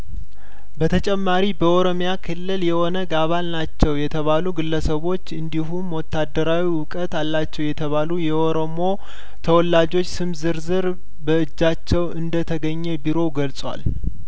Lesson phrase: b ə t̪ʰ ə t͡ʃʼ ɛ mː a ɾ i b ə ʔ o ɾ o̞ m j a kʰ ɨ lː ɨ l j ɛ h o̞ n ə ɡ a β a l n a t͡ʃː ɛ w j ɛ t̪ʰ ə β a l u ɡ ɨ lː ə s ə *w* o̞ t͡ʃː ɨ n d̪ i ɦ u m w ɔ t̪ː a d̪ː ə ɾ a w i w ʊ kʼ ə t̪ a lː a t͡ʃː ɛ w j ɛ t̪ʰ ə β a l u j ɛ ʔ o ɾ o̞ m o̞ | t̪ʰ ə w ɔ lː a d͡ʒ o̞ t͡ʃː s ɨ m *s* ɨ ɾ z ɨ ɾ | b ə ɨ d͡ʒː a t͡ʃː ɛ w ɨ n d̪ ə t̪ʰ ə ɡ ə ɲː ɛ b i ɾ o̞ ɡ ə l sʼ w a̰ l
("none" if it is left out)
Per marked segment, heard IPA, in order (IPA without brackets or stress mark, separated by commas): β, z